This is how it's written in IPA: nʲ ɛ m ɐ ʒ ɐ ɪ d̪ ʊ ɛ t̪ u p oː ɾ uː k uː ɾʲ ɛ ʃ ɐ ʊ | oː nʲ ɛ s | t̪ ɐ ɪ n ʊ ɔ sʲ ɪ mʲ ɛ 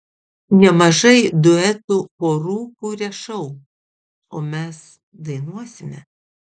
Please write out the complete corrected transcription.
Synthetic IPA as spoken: nʲ ɛ m ɐ ʒ ɐ ɪ d̪ ʊ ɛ t̪ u p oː ɾ uː k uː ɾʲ ɛ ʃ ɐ ʊ | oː mʲ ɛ s | d̪ ɐ ɪ n u ɔ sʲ ɪ mʲ ɛ